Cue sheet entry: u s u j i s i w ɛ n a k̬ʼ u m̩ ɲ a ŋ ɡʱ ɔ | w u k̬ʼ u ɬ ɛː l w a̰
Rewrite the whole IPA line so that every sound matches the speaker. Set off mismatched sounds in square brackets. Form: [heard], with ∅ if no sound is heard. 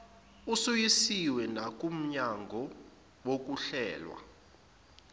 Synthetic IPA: u s u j i s i w ɛ n a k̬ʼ u m̩ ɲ a ŋ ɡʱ ɔ | w [o] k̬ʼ u ɬ ɛː l w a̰